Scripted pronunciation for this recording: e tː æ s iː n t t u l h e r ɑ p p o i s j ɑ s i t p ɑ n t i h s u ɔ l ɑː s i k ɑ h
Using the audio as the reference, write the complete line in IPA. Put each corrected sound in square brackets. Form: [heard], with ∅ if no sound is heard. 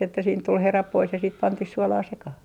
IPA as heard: e tː æ s iː n t t u l h e r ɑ p p o i s j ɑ s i t p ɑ n t i h s u ɔ l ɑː s [e] k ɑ h